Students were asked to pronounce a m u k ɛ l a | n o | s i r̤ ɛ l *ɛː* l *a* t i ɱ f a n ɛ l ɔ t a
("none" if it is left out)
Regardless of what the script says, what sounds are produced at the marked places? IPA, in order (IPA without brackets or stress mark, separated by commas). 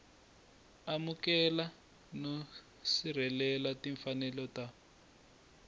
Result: ɛ, a